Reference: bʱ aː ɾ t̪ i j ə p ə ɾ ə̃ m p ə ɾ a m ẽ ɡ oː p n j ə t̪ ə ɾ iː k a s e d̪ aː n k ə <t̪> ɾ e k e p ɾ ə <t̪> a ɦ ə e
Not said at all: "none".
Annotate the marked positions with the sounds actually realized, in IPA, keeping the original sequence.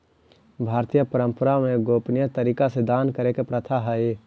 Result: none, t̪ʰ

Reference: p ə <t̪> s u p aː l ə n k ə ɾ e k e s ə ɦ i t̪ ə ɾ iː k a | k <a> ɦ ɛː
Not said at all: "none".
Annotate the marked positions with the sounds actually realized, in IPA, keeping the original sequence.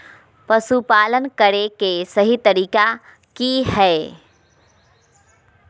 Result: none, i

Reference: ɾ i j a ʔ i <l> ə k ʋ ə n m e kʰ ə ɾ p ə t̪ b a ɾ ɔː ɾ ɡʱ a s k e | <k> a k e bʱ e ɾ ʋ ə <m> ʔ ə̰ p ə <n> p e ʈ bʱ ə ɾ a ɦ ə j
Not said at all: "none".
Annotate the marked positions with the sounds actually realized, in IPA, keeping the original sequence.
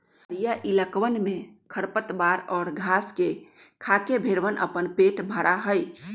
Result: l, kʰ, n, n

